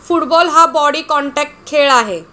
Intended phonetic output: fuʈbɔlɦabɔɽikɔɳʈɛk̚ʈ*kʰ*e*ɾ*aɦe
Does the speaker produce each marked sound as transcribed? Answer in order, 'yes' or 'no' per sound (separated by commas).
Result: yes, no